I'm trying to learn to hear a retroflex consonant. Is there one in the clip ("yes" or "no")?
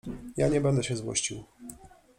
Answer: no